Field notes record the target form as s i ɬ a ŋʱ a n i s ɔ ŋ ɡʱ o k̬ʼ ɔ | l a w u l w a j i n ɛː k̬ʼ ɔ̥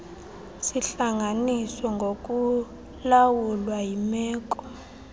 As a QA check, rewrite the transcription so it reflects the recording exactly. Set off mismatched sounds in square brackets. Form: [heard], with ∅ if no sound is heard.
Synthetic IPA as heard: s i ɬ a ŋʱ a n i s ɔ ŋ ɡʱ o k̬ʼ [u] | l a w u l w a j i [m] ɛː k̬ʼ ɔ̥